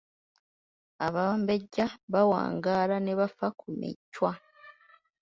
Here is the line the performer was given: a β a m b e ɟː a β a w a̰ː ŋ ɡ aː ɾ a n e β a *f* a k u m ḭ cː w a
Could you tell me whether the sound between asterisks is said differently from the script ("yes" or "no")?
no